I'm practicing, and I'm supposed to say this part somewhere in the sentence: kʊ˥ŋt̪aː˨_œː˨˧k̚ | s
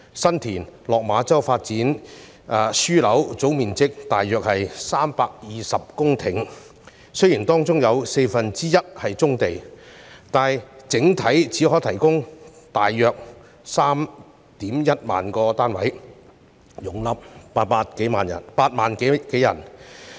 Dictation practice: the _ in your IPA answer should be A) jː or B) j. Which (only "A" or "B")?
A